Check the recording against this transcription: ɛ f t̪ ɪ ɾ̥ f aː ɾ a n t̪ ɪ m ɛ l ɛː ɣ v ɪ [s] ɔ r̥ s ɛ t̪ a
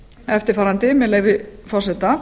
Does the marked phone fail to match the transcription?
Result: yes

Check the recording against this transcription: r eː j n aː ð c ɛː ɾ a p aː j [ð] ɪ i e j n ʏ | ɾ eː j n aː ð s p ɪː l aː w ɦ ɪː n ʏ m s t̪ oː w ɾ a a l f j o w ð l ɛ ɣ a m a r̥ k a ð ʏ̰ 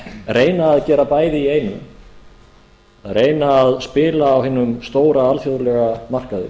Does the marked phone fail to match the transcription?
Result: no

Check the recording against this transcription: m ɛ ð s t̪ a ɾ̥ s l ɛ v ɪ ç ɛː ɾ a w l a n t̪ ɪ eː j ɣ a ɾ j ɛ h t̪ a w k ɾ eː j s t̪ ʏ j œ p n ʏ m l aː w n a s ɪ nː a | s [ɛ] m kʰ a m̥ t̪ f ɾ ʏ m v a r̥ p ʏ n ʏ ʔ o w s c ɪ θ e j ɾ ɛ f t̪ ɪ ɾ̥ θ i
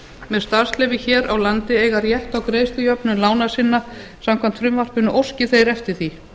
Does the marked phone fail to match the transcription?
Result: yes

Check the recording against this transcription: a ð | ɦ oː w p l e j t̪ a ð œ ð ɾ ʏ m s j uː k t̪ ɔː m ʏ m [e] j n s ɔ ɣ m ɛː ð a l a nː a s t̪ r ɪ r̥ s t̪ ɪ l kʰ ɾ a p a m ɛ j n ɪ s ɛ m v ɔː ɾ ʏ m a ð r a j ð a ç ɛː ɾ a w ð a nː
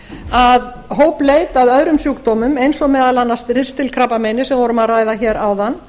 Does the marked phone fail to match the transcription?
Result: no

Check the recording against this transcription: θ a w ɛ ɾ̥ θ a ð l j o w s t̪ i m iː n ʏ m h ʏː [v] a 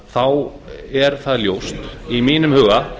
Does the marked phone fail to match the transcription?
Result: yes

